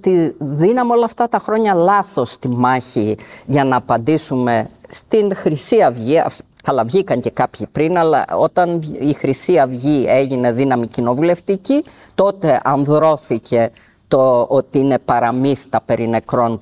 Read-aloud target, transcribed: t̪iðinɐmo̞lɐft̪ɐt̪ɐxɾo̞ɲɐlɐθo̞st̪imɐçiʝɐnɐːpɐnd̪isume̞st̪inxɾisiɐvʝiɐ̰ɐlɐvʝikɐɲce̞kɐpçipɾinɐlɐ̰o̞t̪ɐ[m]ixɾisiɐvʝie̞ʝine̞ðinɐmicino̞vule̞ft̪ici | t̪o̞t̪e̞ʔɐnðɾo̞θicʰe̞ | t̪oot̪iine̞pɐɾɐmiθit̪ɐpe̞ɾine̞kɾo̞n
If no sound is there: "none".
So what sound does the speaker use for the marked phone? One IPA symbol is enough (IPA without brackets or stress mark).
n